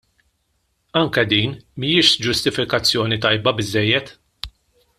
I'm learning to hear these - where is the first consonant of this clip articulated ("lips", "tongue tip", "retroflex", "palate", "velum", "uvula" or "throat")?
velum